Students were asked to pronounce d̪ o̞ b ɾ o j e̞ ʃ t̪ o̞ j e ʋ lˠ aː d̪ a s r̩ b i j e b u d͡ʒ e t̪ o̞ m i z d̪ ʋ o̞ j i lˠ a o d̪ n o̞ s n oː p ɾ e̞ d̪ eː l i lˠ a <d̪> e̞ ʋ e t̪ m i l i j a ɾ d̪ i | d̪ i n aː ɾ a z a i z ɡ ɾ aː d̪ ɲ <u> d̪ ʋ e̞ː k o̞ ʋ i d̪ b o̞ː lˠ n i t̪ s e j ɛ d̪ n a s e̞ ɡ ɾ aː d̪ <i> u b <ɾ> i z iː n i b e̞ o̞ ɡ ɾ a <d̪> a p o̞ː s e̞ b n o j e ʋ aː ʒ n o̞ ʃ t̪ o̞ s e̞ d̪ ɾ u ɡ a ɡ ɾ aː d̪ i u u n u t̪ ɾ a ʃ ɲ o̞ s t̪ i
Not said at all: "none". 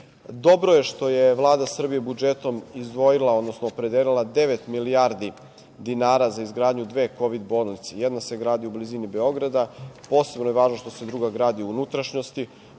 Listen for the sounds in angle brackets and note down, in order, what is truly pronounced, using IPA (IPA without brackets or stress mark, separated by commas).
d̪, u, i, l, d̪